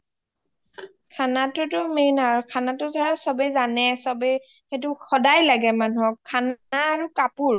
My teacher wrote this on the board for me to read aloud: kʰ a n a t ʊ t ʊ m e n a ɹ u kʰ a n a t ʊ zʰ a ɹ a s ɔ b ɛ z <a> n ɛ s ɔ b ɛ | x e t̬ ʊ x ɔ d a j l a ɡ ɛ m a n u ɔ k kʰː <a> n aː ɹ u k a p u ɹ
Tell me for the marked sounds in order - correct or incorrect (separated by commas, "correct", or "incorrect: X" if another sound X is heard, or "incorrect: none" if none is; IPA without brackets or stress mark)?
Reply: correct, correct